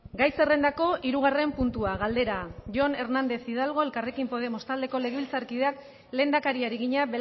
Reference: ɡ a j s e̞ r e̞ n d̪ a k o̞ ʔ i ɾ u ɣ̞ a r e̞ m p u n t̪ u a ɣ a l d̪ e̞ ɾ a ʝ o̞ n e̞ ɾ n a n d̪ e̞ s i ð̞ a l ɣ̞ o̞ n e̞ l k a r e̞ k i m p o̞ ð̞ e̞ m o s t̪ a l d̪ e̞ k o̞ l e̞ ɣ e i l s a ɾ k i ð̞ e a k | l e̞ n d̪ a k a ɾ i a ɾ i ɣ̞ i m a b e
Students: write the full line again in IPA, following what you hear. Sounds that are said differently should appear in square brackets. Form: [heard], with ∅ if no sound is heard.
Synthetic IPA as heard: ɡ a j s e̞ r e̞ n d̪ a k o̞ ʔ i ɾ u ɣ̞ a r e̞ m p u n t̪ u a ɣ a l d̪ e̞ ɾ a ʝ o̞ n e̞ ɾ n a n d̪ e̞ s i ð̞ a l ɣ̞ o̞ [∅] e̞ l k a r e̞ k i m p o̞ ð̞ e̞ m o s t̪ a l d̪ e̞ k o̞ l e̞ ɣ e i l [t͡s] a ɾ k i ð̞ e a k | l e̞ n d̪ a k a ɾ i a ɾ i ɣ̞ i [ɲ] a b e